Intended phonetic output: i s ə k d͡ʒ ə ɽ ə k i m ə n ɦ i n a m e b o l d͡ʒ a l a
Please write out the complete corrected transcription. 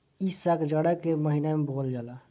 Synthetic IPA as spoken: i s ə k d͡ʒ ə ɽ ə k e m ə ɦ i n a m e b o l d͡ʒ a l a